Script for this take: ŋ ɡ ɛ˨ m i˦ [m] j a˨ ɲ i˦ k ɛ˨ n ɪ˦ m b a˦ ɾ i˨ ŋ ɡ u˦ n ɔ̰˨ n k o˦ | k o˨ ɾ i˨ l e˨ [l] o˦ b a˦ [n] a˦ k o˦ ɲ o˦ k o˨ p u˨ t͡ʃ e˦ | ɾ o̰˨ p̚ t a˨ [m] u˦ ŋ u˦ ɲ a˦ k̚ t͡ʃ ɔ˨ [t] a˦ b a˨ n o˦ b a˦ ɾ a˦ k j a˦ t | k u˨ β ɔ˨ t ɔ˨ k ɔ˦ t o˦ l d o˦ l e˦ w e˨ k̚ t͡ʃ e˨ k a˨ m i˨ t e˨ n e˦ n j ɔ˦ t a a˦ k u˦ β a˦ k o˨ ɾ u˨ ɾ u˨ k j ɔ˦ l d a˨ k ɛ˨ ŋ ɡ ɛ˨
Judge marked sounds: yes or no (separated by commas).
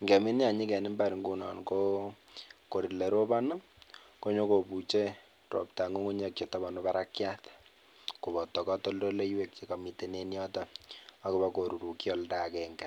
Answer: no, no, yes, no, yes